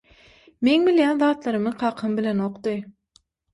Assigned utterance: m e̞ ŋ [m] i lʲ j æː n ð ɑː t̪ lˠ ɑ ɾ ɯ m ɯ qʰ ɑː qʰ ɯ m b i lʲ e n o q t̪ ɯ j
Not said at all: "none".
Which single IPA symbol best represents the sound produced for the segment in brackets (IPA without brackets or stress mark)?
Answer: b